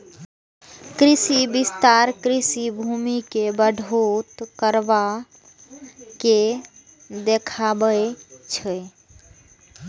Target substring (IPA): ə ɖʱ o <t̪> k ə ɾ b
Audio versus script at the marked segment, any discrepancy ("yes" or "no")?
no